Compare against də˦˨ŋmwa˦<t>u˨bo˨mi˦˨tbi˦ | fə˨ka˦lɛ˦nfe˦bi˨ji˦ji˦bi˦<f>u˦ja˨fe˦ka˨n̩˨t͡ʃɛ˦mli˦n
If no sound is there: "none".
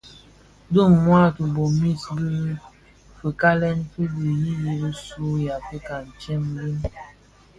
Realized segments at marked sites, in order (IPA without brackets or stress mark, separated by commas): t, s